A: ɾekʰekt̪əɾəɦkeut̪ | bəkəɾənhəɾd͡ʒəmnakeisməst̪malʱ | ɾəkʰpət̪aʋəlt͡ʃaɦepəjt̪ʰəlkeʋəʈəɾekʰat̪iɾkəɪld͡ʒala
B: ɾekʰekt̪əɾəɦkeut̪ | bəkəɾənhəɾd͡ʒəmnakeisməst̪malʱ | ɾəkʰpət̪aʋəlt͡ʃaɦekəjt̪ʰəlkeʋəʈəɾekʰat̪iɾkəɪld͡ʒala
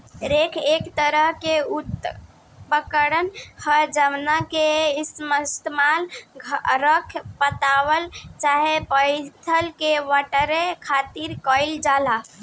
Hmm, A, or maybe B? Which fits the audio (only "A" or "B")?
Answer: A